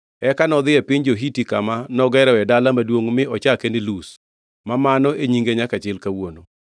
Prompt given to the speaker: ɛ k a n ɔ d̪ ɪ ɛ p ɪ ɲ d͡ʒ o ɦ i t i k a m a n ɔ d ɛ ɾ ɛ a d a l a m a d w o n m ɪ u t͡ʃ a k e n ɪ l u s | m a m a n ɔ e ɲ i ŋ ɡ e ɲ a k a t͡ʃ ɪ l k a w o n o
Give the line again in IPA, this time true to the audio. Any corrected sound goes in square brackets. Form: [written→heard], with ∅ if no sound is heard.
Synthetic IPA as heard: ɛ k a n ɔ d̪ ɪ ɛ p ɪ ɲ d͡ʒ o ɦ i t i k a m a n ɔ [d→ɡ] ɛ ɾ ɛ [a→ɛ] d a l a m a d w o [n→ŋ] m ɪ [u→ɔ] t͡ʃ a k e n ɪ l u s | m a m a n ɔ e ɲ i ŋ ɡ e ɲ a k a t͡ʃ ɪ l k a w o n o